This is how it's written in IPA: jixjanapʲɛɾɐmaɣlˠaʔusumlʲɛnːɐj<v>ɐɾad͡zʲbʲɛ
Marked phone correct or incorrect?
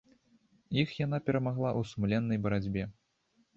incorrect